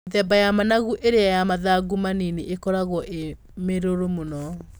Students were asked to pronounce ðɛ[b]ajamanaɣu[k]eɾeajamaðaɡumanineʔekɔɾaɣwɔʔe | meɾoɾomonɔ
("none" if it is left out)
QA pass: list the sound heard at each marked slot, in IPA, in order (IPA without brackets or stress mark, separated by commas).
b, ʔ